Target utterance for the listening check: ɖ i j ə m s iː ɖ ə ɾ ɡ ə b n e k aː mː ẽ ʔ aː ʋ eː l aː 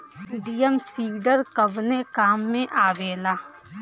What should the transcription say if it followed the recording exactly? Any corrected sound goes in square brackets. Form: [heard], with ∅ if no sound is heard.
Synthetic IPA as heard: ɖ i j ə m s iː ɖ ə ɾ [k] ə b n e k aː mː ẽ ʔ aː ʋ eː l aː